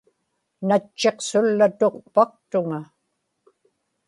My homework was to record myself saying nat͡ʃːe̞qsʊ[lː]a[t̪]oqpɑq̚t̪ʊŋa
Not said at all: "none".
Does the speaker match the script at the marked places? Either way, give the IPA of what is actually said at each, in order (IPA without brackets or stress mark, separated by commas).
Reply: lː, t̪